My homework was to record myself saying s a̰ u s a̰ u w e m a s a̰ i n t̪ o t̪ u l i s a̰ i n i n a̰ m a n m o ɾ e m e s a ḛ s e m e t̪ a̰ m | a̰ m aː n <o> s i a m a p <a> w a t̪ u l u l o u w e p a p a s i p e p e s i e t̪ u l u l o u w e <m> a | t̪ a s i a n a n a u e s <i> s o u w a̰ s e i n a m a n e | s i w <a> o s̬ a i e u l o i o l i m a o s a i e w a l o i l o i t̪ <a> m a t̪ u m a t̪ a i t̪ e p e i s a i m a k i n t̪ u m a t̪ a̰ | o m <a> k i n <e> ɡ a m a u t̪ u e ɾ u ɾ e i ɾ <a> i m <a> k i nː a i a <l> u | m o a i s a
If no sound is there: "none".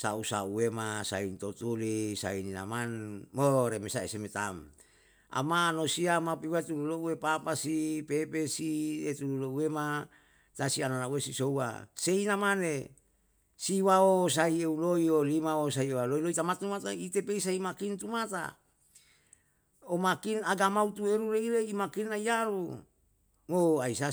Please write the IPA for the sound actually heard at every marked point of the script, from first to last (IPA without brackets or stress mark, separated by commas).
o, i, m, i, a, a, a, a, e, a, ɾ